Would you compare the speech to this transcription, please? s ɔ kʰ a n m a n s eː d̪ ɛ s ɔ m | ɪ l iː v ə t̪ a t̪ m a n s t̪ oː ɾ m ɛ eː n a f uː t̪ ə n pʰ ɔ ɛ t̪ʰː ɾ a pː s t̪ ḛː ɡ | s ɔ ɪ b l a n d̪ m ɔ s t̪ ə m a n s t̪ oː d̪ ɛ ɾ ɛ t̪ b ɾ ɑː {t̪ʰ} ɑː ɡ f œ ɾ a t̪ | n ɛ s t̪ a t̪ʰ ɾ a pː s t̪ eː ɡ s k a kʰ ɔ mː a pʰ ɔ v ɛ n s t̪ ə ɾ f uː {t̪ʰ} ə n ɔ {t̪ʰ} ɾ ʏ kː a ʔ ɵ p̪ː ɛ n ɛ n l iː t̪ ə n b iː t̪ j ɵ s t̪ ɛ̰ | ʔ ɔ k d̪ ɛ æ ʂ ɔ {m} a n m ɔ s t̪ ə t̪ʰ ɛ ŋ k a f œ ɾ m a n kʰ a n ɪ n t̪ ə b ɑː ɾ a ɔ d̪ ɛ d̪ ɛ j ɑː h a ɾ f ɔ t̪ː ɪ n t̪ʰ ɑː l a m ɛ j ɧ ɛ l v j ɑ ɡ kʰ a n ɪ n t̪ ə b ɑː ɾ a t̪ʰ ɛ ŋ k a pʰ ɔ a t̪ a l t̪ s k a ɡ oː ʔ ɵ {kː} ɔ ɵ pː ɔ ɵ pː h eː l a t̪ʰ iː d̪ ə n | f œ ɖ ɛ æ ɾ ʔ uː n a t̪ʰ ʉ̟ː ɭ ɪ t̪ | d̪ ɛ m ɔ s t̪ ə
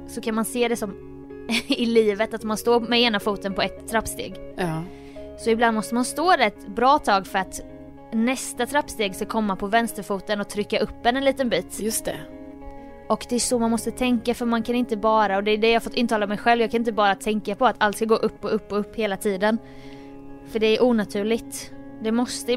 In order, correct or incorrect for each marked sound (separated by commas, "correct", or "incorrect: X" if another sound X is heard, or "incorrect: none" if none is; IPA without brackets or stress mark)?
correct, incorrect: t̪, correct, correct, incorrect: pː